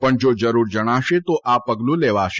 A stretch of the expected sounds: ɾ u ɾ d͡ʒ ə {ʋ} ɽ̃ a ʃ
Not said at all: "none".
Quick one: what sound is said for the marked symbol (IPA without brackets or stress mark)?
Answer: none